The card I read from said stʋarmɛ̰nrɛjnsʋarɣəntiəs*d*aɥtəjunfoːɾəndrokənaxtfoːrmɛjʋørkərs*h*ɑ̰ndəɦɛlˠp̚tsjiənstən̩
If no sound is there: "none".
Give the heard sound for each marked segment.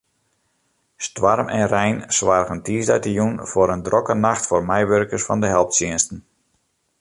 d, f

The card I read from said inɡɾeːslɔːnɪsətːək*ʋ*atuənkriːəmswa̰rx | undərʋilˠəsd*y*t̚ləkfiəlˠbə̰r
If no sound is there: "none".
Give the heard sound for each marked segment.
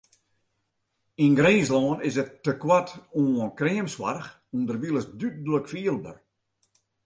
w, y

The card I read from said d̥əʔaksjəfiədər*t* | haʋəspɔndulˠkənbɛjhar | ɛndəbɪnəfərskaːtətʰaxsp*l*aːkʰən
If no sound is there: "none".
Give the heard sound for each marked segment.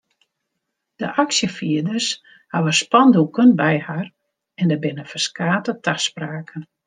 s, r

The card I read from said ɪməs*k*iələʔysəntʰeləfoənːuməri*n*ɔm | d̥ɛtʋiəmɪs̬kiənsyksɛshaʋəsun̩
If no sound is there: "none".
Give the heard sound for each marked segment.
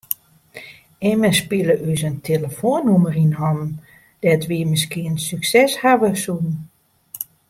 p, n

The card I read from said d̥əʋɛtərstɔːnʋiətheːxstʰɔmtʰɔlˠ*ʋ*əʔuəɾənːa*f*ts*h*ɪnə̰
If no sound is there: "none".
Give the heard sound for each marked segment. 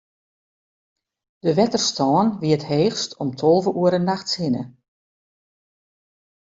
v, x, h

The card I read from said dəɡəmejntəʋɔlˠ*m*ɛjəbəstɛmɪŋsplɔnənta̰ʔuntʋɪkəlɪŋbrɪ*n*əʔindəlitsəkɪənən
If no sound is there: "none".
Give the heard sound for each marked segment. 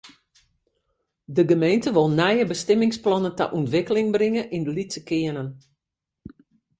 n, ŋ

